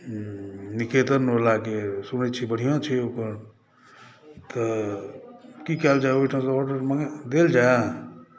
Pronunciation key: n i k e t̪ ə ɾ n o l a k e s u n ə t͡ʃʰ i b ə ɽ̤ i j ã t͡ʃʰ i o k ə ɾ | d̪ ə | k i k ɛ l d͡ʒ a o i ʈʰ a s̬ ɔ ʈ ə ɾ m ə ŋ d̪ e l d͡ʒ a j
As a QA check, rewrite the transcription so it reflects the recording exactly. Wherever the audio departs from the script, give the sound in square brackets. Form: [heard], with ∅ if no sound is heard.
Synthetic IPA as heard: n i k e t̪ ə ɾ n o l a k e s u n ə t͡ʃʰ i b ə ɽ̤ i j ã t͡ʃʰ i o k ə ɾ | [t̪] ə | k i k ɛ l d͡ʒ a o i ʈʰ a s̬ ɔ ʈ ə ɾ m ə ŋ d̪ e l d͡ʒ a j